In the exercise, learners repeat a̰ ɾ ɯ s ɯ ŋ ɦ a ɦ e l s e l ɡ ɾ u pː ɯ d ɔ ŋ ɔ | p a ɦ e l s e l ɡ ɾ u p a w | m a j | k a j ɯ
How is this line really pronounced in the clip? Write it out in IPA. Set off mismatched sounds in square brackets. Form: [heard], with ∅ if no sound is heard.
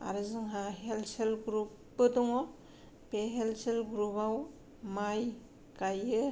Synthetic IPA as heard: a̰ ɾ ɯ [z] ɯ ŋ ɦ a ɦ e l s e l ɡ ɾ u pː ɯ d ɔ ŋ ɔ | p [e] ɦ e l s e l ɡ ɾ u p a w | m a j | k a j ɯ